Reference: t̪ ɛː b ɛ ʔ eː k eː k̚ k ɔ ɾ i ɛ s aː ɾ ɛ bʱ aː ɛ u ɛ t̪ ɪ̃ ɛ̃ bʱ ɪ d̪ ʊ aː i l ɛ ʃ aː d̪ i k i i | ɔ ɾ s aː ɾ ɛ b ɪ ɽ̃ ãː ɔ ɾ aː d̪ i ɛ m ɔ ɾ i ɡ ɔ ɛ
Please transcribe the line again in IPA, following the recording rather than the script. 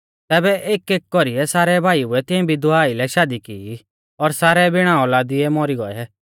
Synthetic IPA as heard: t̪ ɛː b ɛ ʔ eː k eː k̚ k ɔ ɾ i ɛ s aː ɾ ɛ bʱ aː i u ɛ t̪ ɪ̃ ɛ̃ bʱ i d̪ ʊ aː i l ɛ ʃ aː d̪ i k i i | ɔ ɾ s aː ɾ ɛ b ɪ ɽ̃ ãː ɔ l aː d̪ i ɛ m ɔ ɾ i ɡ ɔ ɛ